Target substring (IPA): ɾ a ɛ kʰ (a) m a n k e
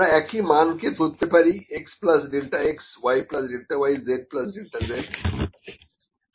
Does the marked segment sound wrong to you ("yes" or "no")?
yes